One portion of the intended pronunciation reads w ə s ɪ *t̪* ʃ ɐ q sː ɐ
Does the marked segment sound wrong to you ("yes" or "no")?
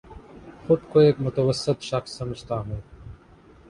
no